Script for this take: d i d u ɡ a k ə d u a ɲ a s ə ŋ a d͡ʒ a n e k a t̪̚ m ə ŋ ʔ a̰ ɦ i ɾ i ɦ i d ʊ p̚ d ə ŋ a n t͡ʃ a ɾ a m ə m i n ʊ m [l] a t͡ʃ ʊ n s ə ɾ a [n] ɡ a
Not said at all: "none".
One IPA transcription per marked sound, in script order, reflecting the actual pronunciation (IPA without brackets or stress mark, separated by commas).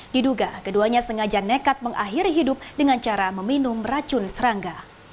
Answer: r, ŋ